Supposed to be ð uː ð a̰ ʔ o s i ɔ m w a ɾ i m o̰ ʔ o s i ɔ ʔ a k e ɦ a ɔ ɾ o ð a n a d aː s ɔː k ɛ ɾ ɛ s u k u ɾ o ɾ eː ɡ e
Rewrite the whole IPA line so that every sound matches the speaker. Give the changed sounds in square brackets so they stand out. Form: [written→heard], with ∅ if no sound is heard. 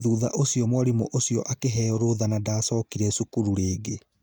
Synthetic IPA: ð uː ð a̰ ʔ o s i ɔ m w a ɾ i m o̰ ʔ o s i ɔ ʔ a k e ɦ [a→ɛ] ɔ ɾ o ð a n a d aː s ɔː k [ɛ→i] ɾ ɛ s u k u ɾ [o→u] ɾ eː ɡ e